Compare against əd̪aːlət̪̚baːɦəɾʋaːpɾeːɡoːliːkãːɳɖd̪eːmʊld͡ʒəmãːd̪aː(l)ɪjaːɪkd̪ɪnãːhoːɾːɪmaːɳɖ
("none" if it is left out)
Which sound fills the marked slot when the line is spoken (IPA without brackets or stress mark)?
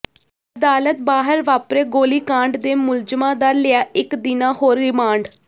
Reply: l